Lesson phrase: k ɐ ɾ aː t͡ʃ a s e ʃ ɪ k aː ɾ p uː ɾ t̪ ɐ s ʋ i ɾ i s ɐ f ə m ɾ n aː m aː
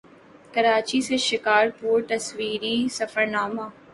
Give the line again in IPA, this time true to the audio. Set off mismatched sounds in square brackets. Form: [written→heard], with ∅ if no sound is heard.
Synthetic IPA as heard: k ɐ ɾ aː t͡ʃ [a→i] s e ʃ ɪ k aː ɾ p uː ɾ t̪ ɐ s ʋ [i→iː] ɾ i s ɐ f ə [m→∅] ɾ n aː m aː